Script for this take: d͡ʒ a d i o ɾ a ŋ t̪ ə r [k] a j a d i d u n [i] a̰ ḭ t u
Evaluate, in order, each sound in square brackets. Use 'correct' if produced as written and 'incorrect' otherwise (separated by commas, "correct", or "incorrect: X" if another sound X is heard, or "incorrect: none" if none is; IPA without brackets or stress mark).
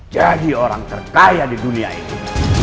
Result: correct, correct